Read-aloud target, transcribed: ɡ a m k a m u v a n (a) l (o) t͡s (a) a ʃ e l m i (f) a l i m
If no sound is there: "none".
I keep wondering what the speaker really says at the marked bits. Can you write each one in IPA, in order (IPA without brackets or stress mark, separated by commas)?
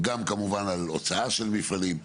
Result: a, o, a, f